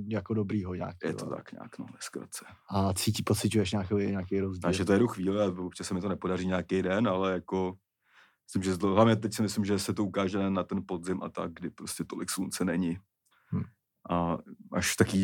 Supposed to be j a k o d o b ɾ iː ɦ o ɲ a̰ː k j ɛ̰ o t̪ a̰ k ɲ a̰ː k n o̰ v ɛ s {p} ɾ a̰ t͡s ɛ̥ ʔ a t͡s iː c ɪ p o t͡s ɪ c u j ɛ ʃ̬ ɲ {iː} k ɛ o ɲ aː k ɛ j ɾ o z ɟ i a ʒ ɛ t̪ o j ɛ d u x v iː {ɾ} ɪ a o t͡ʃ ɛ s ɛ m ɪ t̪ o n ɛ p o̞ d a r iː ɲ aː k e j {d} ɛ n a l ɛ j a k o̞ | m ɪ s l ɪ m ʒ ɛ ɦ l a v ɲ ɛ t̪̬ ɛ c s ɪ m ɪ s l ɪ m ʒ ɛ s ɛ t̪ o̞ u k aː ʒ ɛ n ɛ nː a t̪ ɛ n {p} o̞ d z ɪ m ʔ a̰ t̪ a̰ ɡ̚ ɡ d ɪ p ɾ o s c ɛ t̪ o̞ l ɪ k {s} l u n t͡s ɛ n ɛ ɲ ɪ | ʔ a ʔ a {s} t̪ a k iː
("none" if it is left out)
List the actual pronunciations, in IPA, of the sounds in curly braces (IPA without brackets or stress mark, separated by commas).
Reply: k, aː, l, d, p, s, ʃ